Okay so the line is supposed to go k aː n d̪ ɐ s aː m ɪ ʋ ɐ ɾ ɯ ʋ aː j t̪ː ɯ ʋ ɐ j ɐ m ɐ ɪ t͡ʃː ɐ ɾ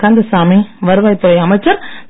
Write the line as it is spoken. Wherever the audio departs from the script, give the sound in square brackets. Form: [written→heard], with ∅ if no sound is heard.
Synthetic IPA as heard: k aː n d̪ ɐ s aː m [ɪ→i] ʋ ɐ ɾ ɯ ʋ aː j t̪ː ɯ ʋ ɐ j ɐ m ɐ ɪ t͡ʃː ɐ ɾ